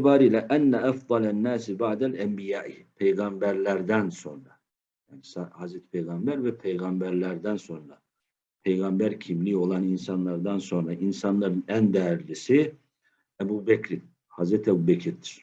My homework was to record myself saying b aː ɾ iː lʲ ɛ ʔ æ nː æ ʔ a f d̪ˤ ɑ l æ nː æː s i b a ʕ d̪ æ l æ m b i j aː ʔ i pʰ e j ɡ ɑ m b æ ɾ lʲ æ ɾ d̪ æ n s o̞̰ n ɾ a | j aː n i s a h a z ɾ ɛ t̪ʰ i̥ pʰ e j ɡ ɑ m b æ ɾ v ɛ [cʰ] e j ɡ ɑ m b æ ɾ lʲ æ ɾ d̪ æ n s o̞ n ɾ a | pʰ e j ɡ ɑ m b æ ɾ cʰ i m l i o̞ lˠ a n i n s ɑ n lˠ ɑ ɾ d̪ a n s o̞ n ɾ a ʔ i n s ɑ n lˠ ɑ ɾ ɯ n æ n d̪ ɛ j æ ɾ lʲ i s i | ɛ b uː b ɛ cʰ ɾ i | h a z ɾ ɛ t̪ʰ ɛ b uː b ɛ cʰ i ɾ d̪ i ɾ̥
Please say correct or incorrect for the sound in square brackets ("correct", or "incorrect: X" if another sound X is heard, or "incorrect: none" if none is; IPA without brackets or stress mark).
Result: incorrect: pʰ